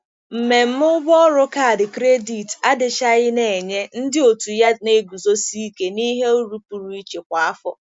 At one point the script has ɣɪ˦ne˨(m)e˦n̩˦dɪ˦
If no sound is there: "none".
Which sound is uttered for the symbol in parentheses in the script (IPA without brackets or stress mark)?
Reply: ɲ